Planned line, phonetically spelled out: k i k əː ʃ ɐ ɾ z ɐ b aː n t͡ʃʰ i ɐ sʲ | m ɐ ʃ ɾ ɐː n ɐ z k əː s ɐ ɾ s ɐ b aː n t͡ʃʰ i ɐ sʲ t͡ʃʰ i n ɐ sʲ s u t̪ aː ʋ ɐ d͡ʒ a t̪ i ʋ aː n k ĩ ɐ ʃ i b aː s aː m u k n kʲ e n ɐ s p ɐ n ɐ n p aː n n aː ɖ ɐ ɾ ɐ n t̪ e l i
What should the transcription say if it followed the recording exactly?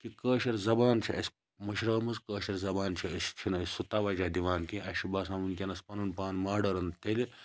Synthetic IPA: k i k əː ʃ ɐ ɾ z ɐ b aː n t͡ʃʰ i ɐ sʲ | m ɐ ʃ ɾ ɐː m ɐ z k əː ʃ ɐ ɾ z ɐ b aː n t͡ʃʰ i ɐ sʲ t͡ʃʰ i n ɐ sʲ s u t̪ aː ʋ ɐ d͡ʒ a d̪ i ʋ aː n k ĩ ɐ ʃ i b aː s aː m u n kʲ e n ɐ s p ɐ n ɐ n p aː n m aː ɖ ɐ ɾ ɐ n t̪ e l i

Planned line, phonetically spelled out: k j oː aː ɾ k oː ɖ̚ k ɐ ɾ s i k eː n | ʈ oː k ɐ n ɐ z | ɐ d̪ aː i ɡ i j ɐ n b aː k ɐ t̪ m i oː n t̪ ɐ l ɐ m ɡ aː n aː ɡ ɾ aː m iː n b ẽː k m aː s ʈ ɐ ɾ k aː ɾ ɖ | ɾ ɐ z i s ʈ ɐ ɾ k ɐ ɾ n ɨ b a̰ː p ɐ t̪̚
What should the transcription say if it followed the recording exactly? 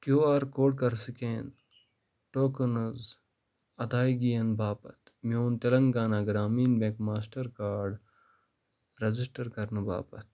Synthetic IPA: k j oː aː ɾ k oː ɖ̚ k ɐ ɾ s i k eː n | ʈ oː k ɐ n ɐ z | ɐ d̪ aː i ɡ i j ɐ n b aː p ɐ t̪ m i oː n t̪ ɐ l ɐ ŋ ɡ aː n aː ɡ ɾ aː m iː n b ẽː k m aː s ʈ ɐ ɾ k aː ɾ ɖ | ɾ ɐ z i s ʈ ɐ ɾ k ɐ ɾ n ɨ b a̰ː p ɐ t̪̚

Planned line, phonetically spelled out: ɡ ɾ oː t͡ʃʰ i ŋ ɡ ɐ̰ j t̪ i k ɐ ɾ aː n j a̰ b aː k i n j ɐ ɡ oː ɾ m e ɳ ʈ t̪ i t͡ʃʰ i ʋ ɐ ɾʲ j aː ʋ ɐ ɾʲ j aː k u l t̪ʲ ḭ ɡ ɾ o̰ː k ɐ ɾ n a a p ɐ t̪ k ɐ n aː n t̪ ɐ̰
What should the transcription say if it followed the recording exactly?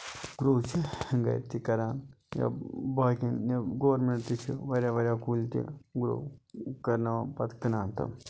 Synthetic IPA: ɡ ɾ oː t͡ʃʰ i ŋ ɡ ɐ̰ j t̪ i k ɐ ɾ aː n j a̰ b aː k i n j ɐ ɡ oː ɾ m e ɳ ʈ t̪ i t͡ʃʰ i ʋ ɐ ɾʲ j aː ʋ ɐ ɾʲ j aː k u l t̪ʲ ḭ ɡ ɾ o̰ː k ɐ ɾ n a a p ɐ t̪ k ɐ n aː n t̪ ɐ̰

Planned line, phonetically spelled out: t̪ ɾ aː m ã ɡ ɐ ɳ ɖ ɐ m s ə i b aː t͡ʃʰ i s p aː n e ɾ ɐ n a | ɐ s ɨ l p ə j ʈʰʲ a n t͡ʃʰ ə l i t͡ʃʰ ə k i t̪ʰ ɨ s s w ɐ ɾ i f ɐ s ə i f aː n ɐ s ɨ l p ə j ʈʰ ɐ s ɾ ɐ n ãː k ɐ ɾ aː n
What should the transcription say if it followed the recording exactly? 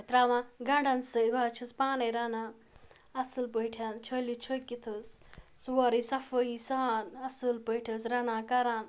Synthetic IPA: t̪ ɾ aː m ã ɡ ɐ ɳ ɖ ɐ n s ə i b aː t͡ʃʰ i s p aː n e ɾ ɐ n a | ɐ s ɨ l p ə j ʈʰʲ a n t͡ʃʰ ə l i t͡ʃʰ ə k i t̪ʰ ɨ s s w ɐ ɾ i s ɐ f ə i s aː n ɐ s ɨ l p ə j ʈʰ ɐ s ɾ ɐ n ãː k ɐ ɾ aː n

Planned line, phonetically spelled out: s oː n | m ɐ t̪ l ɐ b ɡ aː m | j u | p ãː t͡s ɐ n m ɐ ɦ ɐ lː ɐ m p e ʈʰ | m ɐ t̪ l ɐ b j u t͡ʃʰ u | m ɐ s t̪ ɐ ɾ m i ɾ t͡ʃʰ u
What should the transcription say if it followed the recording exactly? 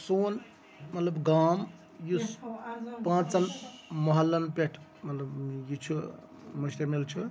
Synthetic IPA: s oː n | m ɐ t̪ l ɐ b ɡ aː m | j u | p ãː t͡s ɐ n m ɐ ɦ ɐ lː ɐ n p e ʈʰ | m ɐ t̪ l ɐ b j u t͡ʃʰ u | m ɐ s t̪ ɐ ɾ m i l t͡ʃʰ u

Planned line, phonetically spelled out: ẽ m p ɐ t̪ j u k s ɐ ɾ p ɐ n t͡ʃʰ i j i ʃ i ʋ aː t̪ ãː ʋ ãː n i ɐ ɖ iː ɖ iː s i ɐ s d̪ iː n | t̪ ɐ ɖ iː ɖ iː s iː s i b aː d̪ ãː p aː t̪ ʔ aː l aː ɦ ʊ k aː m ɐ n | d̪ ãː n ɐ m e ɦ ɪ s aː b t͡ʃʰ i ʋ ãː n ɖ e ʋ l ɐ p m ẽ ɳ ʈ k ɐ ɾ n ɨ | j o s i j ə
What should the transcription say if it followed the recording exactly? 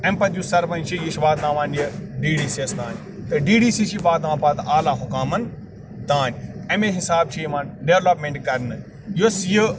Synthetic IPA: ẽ m p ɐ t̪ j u s ɐ ɾ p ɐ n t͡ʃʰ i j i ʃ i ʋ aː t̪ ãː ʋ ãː n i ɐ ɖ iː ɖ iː s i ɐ s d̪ aː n | t̪ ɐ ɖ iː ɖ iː s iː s i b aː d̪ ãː p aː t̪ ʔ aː l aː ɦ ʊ k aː m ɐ n | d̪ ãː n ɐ m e ɦ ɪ s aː b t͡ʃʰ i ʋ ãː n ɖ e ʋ l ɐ p m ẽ ɳ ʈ k ɐ ɾ n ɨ | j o s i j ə

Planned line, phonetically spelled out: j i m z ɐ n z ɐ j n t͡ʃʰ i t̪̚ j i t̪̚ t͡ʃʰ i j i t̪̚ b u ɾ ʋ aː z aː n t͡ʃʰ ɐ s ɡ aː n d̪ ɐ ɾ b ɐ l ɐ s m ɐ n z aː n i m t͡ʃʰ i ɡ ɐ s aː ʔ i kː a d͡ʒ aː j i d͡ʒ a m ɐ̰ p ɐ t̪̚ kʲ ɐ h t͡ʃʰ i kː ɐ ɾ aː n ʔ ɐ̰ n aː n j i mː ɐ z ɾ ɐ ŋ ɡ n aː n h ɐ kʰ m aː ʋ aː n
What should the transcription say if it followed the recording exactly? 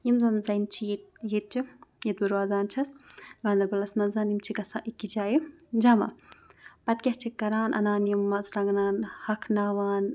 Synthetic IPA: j i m z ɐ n z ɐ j n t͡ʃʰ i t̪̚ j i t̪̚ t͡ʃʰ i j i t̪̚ b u ɾ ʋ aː z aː n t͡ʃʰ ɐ s ɡ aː n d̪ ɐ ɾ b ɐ l ɐ s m ɐ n z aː n i m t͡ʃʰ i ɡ ɐ s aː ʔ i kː i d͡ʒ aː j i d͡ʒ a m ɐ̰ p ɐ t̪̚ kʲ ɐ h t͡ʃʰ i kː ɐ ɾ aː n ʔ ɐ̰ n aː n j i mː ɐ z ɾ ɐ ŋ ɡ n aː n h ɐ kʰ n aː ʋ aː n

